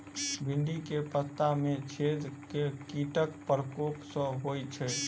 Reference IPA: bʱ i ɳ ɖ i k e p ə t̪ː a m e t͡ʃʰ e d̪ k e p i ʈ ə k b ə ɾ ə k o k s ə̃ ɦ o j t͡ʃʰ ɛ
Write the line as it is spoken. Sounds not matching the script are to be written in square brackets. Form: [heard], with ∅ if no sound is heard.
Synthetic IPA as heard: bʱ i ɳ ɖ i k e p ə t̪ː a m e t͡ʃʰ e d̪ k e [k] i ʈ ə k [p] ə ɾ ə k o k s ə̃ ɦ o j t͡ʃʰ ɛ